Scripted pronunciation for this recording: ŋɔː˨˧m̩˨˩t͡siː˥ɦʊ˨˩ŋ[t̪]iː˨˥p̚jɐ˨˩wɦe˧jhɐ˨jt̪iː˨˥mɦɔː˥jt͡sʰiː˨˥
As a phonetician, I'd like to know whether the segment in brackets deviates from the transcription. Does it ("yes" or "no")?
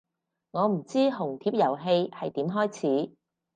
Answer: yes